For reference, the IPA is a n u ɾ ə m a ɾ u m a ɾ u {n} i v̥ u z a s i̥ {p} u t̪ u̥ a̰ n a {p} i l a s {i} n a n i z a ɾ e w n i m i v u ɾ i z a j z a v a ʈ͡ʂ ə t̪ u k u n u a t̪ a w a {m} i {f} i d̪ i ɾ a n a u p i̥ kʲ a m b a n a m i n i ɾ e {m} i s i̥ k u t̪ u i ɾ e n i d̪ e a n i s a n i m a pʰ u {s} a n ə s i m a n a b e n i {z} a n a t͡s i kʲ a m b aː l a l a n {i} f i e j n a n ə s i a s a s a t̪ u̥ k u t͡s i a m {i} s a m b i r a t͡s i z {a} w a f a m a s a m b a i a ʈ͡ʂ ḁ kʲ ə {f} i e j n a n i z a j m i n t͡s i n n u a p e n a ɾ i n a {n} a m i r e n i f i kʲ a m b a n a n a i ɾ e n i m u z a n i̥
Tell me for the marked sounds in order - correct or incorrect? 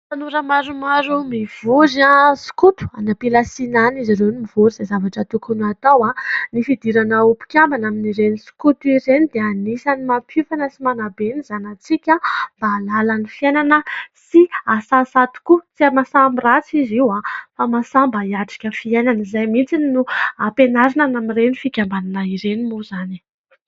incorrect, incorrect, correct, correct, incorrect, correct, incorrect, incorrect, correct, correct, incorrect, incorrect, correct, correct

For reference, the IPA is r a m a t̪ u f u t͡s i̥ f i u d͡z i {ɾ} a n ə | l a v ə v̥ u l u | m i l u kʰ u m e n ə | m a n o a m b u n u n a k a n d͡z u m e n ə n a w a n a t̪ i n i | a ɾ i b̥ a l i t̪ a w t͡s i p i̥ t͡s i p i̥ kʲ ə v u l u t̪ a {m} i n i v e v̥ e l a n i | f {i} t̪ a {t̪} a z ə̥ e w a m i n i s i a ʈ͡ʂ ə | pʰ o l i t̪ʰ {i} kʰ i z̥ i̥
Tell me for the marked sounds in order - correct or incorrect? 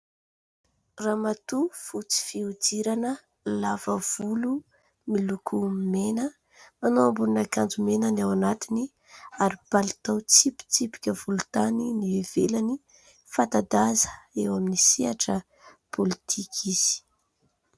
correct, incorrect, incorrect, incorrect, correct

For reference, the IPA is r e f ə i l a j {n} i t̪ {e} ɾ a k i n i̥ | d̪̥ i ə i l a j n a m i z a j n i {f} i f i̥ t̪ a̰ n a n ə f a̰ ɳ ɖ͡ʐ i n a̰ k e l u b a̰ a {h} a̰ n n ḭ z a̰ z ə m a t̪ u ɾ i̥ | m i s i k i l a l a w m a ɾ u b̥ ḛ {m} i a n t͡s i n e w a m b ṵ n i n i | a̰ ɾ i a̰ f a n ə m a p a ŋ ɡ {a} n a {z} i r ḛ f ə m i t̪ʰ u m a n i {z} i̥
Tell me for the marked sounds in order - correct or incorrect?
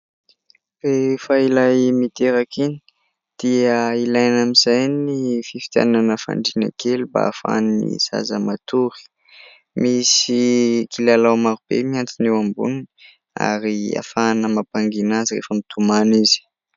incorrect, correct, correct, incorrect, correct, incorrect, correct, correct

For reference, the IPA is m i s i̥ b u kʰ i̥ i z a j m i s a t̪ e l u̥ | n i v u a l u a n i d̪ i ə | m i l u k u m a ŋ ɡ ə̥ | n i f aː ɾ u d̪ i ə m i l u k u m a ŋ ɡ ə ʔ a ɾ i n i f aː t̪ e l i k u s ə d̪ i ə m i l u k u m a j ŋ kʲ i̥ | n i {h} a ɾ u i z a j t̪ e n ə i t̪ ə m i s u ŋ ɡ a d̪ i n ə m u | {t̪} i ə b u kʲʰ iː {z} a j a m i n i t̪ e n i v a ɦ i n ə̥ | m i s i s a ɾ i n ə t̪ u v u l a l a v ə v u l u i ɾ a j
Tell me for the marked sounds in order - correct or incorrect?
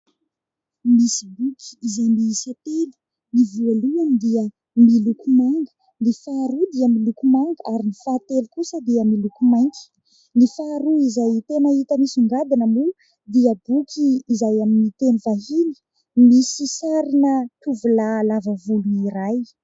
incorrect, incorrect, correct

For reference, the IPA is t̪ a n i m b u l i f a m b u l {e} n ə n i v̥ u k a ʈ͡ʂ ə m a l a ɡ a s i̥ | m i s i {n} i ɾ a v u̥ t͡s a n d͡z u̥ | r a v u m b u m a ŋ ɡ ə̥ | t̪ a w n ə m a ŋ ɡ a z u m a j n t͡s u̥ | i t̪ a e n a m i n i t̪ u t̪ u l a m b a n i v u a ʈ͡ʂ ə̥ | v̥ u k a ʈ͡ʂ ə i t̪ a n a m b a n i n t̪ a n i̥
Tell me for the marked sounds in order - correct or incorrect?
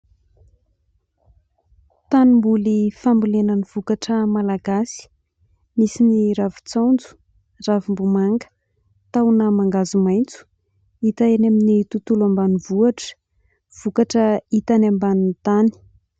correct, correct

